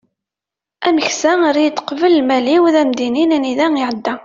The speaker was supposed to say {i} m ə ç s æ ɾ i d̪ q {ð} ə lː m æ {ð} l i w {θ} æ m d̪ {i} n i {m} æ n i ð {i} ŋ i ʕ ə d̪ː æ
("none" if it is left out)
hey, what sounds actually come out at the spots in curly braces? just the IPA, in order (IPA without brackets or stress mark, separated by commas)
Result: æ, v, none, ð, i, n, æ